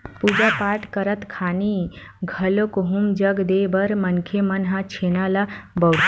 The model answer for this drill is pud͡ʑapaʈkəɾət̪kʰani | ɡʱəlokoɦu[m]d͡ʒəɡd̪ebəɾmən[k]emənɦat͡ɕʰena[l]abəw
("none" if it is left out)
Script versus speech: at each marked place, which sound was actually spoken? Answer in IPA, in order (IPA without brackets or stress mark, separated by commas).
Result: m, kʰ, l